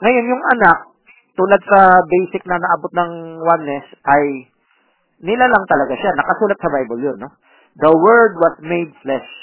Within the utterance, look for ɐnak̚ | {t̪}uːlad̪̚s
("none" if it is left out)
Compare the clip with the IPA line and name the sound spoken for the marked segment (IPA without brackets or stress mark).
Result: t̪